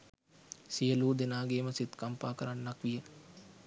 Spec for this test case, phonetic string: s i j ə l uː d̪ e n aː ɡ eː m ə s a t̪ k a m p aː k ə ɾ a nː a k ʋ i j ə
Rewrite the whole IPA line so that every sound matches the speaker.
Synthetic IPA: s i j ə l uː d̪ e n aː ɡ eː m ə s i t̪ k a m p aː k ə ɾ a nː a k ʋ i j ə